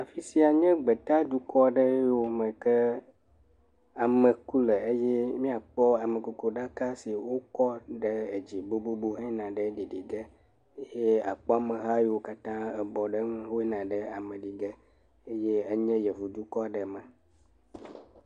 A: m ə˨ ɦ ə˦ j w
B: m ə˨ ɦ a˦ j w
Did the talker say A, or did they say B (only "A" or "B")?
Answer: B